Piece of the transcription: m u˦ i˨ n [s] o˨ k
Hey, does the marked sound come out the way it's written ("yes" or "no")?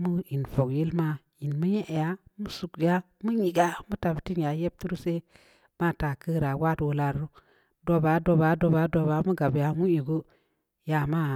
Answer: no